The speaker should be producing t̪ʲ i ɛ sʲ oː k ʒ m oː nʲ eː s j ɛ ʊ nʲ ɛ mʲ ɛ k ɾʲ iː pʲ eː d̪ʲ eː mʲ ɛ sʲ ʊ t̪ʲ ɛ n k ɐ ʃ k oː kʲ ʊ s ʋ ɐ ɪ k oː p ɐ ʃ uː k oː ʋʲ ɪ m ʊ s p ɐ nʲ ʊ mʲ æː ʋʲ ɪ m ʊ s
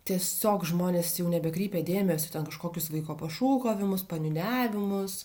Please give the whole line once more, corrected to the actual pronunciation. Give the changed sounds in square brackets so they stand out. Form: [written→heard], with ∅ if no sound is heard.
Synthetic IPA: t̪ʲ i ɛ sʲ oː k ʒ m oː nʲ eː s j ɛ ʊ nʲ ɛ [mʲ→bʲ] ɛ k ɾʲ iː pʲ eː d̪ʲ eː mʲ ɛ sʲ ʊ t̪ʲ ɛ n k ɐ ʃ k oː kʲ ʊ s ʋ ɐ ɪ k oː p ɐ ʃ uː k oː ʋʲ ɪ m ʊ s p ɐ nʲ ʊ [mʲ→nʲ] æː ʋʲ ɪ m ʊ s